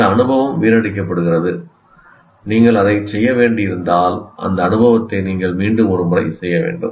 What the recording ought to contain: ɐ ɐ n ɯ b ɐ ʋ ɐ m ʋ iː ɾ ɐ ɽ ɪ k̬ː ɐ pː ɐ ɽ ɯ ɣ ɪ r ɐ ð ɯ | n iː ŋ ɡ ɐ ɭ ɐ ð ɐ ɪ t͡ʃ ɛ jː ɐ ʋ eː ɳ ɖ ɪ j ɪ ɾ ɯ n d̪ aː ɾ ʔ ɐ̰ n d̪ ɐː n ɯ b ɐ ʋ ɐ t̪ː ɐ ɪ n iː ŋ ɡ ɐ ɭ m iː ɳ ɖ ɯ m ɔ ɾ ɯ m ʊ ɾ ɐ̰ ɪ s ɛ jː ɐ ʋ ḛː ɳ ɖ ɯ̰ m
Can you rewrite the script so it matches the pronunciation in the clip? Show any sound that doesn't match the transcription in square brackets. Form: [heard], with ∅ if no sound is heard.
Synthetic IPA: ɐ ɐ n ɯ b ɐ ʋ ɐ m ʋ iː ɾ ɐ ɽ ɪ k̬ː ɐ pː ɐ ɽ ɯ ɣ ɪ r ɐ ð ɯ | n iː ŋ ɡ ɐ ɭ ɐ ð ɐ ɪ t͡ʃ ɛ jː ɐ ʋ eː ɳ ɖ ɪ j ɪ ɾ ɯ n d̪ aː [l] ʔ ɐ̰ n d̪ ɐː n ɯ b ɐ ʋ ɐ t̪ː ɐ ɪ n iː ŋ ɡ ɐ ɭ m iː ɳ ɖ ɯ m ɔ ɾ ɯ m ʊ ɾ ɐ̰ ɪ s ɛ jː ɐ ʋ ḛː ɳ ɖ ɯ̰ m